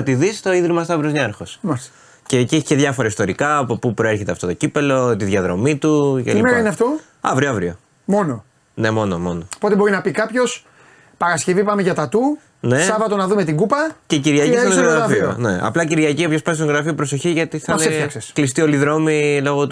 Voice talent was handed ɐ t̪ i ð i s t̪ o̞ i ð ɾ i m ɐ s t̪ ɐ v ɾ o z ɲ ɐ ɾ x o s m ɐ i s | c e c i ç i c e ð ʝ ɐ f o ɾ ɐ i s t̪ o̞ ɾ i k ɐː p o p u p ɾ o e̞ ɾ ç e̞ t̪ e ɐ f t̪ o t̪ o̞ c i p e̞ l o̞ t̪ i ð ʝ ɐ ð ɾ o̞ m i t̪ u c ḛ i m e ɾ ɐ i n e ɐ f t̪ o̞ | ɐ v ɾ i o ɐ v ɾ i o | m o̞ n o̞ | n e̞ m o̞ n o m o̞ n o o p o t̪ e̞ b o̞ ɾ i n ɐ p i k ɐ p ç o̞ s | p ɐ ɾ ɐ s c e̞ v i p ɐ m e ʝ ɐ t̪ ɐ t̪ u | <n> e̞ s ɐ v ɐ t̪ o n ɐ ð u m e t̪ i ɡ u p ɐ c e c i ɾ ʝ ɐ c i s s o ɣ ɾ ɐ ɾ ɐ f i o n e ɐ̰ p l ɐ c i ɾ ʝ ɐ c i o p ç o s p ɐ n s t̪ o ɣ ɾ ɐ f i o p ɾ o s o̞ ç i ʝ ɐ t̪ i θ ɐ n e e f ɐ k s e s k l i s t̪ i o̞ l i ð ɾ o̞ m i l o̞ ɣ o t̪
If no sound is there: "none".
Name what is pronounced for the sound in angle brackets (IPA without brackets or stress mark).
n